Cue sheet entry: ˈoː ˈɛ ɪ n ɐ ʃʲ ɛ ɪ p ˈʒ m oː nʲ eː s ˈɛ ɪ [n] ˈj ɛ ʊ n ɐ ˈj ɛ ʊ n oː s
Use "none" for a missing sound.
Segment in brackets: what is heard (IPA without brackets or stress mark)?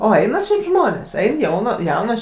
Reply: n